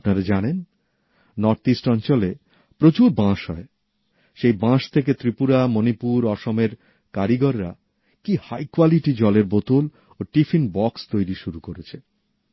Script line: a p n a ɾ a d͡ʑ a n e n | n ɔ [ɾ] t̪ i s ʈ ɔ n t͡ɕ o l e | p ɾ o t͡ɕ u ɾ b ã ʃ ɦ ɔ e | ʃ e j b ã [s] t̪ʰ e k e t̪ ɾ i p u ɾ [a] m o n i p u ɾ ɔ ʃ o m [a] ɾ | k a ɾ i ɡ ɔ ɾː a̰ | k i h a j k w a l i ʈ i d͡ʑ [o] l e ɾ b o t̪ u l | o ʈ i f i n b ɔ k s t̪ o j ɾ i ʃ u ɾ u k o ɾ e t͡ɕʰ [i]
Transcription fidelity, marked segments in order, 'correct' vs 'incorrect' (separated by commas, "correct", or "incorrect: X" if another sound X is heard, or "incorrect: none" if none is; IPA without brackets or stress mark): correct, incorrect: ʃ, correct, incorrect: e, incorrect: ɔ, incorrect: e